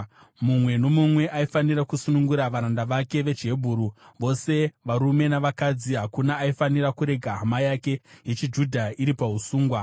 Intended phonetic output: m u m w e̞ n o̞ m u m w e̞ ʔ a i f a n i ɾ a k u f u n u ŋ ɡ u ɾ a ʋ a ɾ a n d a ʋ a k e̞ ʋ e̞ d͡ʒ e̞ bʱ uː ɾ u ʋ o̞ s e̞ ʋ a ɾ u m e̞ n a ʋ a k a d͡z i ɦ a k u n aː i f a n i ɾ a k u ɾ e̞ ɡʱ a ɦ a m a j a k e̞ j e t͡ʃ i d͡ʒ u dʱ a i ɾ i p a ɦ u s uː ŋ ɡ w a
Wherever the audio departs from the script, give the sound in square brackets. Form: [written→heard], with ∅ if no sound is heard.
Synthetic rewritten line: m u m w e̞ n o̞ m u m w e̞ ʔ a i f a n i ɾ a k u [f→s] u n u ŋ ɡ u ɾ a ʋ a ɾ a n d a ʋ a k e̞ ʋ e̞ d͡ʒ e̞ bʱ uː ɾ u ʋ o̞ s e̞ ʋ a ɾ u m e̞ n a ʋ a k a d͡z i ɦ a k u n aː i f a n i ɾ a k u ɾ e̞ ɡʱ a ɦ a m a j a k e̞ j e t͡ʃ i d͡ʒ u dʱ a i ɾ i p a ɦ u s uː ŋ ɡ w a